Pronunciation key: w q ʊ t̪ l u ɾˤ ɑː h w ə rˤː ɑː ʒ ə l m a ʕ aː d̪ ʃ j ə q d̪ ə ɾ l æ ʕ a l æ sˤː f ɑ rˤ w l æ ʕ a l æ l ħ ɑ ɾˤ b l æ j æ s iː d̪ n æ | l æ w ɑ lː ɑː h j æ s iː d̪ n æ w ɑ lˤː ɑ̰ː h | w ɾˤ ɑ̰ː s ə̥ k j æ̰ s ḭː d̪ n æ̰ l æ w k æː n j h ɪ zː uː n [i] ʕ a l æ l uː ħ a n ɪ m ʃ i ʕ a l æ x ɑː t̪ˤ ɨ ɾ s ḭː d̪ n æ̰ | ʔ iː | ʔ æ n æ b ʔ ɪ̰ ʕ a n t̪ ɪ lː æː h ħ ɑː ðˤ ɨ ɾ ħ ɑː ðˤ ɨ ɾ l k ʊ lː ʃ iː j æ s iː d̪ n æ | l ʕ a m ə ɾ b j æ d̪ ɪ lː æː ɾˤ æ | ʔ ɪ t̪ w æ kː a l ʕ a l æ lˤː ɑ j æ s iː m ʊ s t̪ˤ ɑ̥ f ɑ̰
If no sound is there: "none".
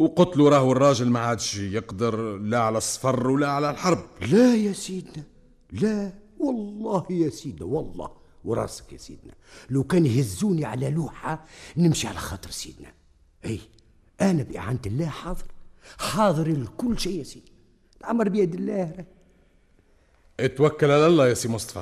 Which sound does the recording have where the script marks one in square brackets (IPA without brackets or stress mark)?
i